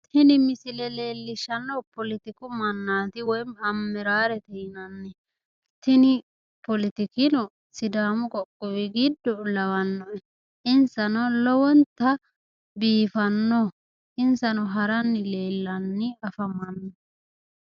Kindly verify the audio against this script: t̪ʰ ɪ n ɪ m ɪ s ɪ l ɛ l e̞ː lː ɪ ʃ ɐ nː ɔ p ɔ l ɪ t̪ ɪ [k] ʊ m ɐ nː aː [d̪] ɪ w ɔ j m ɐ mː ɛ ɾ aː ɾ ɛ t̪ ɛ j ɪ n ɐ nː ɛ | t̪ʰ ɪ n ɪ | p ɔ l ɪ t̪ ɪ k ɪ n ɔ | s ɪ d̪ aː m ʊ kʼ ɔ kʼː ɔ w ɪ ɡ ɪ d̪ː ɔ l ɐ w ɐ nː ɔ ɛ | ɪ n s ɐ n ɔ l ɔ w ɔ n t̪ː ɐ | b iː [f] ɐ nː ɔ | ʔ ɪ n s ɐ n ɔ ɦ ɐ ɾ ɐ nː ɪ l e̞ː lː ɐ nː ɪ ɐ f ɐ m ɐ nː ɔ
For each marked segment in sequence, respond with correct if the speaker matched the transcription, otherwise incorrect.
correct, incorrect: t̪, correct

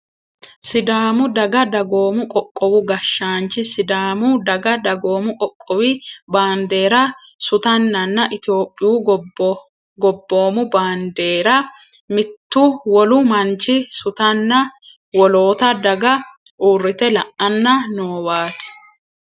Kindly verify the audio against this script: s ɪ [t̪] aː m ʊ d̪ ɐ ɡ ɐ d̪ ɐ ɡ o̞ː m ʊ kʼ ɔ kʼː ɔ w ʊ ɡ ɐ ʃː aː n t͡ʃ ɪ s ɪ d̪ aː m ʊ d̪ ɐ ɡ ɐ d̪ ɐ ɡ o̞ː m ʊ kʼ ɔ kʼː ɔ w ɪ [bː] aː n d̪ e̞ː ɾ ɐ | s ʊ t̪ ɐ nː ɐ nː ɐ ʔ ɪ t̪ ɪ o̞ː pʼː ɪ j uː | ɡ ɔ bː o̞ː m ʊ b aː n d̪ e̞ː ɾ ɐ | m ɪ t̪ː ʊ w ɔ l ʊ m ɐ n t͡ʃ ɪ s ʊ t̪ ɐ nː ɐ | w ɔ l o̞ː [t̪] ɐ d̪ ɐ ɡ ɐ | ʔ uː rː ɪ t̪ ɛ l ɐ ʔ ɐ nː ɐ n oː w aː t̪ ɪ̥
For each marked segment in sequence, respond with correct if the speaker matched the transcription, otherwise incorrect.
incorrect: d̪, incorrect: b, correct

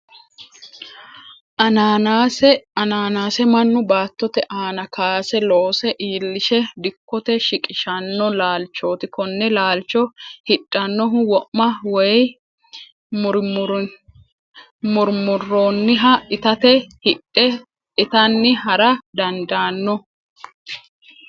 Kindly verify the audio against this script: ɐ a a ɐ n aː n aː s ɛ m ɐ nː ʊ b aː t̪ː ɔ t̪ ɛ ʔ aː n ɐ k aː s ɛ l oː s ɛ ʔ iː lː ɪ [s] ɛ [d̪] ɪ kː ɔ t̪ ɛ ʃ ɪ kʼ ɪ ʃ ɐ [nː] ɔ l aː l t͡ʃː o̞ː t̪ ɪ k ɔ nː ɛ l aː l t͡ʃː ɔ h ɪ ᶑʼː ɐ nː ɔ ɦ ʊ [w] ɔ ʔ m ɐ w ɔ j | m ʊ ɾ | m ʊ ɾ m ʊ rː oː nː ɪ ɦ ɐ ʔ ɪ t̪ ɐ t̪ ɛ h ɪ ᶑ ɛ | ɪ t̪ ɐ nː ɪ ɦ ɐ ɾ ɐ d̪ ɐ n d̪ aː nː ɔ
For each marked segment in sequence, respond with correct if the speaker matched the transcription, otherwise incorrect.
incorrect: ʃ, correct, correct, correct

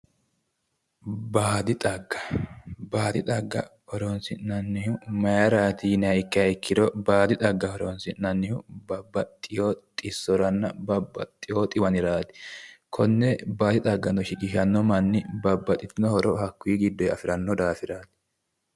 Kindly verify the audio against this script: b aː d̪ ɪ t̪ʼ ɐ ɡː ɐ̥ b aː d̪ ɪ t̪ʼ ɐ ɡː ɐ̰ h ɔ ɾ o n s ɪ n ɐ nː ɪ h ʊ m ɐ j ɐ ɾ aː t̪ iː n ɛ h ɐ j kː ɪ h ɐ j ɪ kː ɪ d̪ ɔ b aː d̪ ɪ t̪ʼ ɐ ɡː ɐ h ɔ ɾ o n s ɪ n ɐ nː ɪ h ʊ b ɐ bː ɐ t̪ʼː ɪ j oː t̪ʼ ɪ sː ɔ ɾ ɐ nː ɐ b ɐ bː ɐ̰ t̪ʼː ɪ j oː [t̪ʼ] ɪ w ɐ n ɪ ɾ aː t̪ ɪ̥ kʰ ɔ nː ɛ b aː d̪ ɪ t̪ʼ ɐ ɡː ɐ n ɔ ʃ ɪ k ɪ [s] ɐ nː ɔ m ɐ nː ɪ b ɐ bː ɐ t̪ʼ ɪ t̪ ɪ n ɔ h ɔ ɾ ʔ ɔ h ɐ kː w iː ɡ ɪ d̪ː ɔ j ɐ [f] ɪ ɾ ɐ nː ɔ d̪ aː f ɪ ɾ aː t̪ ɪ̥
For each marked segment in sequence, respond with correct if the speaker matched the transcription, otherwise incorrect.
correct, incorrect: ʃ, correct

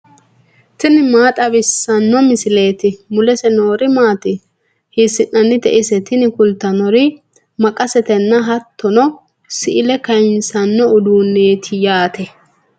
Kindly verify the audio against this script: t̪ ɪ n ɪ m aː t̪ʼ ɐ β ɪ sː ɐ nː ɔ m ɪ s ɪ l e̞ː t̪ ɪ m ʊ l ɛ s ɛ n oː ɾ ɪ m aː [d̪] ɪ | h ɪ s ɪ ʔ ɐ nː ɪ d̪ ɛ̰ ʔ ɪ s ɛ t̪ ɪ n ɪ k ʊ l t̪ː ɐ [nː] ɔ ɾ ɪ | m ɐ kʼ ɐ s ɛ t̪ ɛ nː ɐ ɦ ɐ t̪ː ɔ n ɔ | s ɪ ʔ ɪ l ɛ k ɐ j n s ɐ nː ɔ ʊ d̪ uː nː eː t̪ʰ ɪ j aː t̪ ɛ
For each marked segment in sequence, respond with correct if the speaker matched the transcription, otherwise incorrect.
incorrect: t̪, incorrect: n

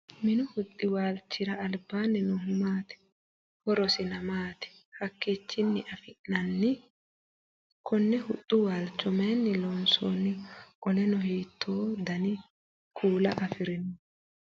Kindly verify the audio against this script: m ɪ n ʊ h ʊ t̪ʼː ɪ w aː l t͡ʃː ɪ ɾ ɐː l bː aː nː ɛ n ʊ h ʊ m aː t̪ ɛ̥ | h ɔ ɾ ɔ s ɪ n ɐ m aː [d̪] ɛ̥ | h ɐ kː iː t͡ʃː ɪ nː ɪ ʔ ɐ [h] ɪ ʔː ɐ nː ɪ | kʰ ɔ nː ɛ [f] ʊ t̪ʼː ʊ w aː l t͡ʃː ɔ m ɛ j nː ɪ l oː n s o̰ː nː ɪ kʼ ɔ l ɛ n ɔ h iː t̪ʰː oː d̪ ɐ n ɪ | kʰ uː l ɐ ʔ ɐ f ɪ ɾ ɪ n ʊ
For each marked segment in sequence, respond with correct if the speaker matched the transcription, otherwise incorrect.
incorrect: t̪, incorrect: f, incorrect: h

